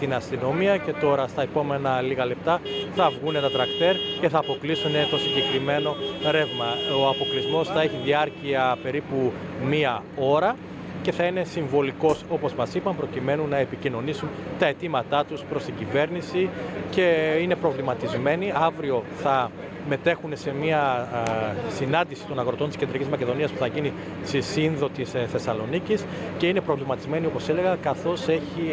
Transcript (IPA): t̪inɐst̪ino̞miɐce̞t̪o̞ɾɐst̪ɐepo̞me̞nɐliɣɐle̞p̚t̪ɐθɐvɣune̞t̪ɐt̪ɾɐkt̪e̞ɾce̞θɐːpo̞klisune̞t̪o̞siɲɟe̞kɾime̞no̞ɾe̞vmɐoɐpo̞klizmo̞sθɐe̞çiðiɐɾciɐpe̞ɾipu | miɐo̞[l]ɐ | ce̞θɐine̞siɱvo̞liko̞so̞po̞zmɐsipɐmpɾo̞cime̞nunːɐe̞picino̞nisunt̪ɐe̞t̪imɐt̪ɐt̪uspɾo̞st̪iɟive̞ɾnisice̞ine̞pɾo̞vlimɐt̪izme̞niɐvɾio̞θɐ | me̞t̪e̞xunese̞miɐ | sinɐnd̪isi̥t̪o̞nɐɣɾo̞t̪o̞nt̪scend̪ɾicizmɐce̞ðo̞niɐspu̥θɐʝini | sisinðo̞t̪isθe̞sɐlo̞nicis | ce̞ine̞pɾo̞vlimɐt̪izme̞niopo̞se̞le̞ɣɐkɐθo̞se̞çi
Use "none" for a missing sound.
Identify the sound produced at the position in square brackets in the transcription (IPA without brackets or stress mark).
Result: ɾ